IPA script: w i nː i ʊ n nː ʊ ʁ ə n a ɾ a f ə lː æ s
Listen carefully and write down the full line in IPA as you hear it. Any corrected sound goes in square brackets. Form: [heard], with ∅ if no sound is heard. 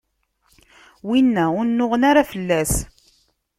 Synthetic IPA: w i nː [æ] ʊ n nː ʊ ʁ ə n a ɾ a f ə lː æ s